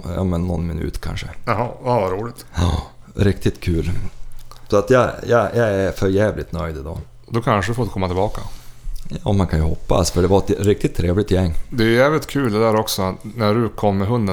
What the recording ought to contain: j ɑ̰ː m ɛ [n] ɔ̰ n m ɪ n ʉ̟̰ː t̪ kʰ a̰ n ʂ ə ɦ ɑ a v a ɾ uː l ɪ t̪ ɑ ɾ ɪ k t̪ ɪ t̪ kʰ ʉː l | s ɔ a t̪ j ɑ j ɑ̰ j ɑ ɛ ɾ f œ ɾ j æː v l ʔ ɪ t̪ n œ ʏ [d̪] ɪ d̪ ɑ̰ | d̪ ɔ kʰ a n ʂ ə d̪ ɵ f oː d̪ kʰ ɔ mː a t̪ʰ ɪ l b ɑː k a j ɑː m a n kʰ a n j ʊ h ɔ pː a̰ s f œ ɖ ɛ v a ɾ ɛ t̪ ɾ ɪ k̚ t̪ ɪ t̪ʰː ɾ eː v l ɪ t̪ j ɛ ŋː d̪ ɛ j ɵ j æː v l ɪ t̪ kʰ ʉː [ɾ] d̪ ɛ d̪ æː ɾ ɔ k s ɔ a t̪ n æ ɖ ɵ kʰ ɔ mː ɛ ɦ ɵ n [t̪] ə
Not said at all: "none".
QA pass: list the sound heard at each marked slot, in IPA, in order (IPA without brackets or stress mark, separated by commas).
nː, d̪, l, d̪